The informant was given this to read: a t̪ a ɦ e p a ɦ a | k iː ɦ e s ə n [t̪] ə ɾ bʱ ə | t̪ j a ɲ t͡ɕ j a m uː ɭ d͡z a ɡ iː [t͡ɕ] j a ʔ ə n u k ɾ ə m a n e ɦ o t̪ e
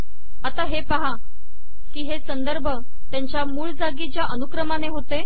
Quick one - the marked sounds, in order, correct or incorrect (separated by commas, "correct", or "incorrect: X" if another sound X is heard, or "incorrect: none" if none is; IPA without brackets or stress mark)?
incorrect: d̪, correct